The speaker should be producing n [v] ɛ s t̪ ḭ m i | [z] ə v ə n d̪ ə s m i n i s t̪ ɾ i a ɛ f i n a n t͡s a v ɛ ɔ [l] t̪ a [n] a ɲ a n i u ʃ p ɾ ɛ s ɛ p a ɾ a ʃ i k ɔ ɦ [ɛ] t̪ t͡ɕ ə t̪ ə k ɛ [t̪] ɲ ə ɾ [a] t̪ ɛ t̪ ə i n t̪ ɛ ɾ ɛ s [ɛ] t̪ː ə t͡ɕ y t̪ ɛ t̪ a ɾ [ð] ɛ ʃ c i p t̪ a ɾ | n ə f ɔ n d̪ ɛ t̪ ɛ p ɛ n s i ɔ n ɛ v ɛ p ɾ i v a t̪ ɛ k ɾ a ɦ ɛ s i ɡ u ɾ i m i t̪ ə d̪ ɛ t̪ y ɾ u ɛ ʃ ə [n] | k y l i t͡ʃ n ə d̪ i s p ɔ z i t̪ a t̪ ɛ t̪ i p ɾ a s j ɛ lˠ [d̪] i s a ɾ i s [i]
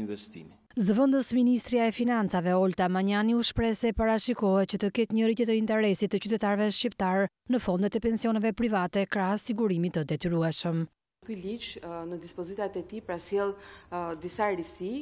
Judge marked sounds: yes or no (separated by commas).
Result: yes, yes, yes, no, yes, yes, no, no, no, no, yes, yes